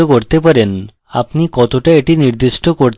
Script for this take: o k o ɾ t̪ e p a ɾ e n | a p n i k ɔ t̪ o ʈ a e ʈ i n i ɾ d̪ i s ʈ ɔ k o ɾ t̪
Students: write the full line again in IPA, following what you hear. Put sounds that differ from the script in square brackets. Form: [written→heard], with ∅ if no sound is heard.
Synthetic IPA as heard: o k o ɾ t̪ e p a ɾ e n | a p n i k ɔ t̪ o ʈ a e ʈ i n i ɾ d̪ i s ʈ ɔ k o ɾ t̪